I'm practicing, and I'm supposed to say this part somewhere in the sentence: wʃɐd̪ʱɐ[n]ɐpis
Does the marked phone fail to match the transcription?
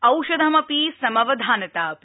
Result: yes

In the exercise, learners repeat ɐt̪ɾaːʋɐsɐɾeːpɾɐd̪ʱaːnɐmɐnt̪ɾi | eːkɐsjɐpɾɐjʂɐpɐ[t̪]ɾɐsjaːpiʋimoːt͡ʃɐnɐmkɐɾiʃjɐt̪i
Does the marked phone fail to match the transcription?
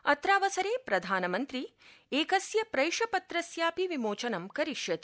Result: no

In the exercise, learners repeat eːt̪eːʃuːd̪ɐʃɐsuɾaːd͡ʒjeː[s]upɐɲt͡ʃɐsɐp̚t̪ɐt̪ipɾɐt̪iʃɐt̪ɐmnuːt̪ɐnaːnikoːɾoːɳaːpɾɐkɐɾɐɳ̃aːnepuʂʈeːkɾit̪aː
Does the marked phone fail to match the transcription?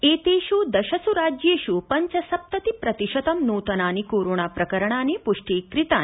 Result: yes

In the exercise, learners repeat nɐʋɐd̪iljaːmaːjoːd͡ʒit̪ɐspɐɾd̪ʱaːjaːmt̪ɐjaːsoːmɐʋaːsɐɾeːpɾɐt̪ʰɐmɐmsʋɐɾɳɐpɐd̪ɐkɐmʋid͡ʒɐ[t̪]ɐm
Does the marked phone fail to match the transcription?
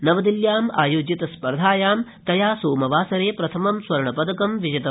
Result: no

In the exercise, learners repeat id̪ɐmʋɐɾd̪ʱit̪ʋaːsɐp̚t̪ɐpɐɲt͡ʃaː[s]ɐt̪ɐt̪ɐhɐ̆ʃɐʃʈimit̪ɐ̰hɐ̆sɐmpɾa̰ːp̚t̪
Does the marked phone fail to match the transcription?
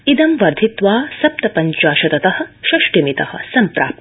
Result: yes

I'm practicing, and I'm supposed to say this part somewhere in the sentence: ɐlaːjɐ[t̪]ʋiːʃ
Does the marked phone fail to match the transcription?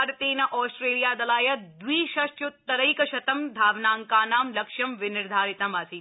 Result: yes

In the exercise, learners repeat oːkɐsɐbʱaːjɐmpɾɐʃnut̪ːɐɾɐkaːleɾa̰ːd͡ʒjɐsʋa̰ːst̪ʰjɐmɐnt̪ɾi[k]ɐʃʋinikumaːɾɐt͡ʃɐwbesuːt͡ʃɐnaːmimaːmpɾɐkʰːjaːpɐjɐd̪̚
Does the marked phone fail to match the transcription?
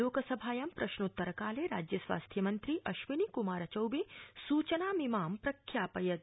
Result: yes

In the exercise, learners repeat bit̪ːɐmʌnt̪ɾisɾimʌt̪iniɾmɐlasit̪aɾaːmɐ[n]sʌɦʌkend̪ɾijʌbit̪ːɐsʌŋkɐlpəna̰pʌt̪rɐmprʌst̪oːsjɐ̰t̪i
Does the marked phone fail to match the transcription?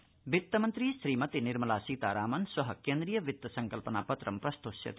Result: no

